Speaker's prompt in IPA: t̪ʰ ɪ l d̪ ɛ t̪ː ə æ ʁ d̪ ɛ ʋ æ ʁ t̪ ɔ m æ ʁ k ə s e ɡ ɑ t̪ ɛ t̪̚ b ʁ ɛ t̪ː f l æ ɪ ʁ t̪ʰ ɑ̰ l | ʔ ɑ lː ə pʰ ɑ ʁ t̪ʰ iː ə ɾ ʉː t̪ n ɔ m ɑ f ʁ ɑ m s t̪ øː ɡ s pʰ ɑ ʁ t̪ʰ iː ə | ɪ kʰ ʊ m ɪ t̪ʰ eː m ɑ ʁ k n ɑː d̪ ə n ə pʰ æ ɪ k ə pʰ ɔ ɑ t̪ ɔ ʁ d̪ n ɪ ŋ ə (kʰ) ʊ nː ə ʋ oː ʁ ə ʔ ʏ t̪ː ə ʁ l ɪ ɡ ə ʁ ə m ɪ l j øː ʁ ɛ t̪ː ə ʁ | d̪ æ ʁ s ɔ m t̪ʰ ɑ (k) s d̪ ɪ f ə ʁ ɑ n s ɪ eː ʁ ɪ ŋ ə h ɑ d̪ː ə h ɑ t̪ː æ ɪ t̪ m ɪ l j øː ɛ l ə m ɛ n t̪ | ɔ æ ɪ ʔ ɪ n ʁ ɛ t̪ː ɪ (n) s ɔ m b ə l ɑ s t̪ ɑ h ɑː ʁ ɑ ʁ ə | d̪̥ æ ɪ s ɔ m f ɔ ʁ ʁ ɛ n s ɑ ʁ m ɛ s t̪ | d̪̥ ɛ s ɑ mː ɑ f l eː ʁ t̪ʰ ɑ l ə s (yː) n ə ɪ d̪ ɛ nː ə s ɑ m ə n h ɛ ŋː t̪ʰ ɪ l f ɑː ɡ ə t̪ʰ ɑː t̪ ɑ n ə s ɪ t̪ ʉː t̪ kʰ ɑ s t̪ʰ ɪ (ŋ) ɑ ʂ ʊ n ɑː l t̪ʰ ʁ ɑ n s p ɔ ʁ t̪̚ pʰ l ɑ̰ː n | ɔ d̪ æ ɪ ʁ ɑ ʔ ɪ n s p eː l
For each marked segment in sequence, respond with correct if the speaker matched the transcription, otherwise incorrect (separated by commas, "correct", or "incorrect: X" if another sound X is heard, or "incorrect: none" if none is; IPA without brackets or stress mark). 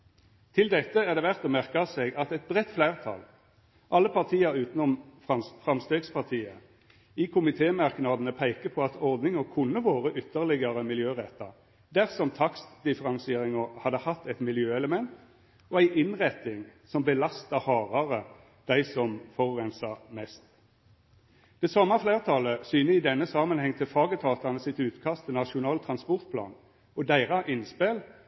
correct, correct, incorrect: ŋ, correct, incorrect: n